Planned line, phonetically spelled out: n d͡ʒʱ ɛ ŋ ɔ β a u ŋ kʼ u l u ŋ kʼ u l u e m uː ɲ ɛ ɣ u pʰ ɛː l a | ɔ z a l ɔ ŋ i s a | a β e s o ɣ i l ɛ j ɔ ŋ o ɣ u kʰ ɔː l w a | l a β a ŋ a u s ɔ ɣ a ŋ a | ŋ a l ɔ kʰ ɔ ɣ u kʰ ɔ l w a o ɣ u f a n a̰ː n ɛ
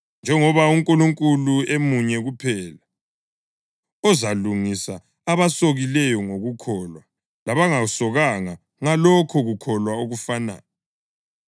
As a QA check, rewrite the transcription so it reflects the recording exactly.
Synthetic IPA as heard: n d͡ʒʱ ɛ ŋ ɔ β a u ŋ kʼ u l u ŋ kʼ u l u e m u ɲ ɛ ɣ u pʰ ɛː l a | ɔ z a l u ŋ i s a | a β a s o ɣ i l ɛ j ɔ ŋ o ɣ u kʰ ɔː l w a | l a β a ŋ a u s ɔ ɣ a ŋ a | ŋ a l ɔ kʰ ɔ ɣ u kʰ ɔ l w a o ɣ u f a n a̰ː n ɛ